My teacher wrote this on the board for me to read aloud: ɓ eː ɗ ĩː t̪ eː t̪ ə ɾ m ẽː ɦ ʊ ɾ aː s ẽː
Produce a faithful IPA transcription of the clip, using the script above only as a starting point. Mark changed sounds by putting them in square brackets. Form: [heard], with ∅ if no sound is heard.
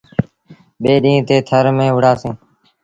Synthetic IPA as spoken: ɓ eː ɗ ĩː t̪ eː [t̪ʰ] ə ɾ m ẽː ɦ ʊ [ɽ] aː s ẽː